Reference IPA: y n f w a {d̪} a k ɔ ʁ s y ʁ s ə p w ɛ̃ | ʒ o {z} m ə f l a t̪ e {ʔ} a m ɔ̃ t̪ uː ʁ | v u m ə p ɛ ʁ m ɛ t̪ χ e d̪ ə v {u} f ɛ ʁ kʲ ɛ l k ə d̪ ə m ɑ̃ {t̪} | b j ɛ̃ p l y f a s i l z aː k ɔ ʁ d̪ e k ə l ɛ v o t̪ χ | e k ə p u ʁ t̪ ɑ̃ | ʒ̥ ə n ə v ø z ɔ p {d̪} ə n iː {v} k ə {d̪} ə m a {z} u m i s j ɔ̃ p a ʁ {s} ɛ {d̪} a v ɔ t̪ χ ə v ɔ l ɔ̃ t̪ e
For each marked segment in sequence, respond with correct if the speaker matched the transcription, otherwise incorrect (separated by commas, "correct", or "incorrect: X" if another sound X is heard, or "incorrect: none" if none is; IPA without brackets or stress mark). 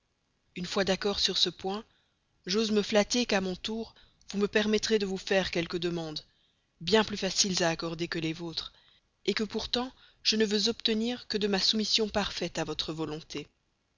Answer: correct, correct, incorrect: k, correct, incorrect: d̪, incorrect: t̪, incorrect: ʁ, correct, incorrect: s, incorrect: f, incorrect: t̪